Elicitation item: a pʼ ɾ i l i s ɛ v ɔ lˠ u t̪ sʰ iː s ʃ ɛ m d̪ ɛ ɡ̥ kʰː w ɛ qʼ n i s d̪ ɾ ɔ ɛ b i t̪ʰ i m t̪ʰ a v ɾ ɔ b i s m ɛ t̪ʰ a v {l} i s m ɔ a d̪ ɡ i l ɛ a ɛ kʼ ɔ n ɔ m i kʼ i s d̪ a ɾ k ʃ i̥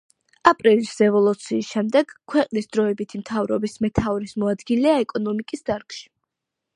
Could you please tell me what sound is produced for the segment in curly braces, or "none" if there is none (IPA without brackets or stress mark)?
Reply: ɾ